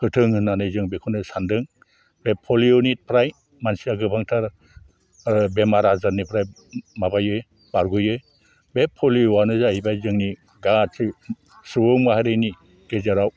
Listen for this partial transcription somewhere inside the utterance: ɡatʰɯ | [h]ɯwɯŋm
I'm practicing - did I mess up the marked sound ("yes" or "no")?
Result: yes